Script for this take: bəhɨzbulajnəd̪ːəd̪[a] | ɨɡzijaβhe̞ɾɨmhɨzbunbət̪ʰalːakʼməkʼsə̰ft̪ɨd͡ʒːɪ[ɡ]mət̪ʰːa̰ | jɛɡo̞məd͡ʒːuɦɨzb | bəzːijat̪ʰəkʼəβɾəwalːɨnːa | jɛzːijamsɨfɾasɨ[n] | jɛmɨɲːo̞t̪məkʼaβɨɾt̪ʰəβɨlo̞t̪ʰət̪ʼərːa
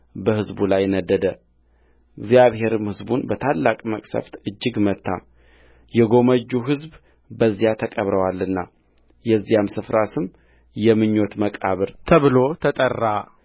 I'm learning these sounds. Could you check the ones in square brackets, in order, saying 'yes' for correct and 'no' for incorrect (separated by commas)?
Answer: no, yes, no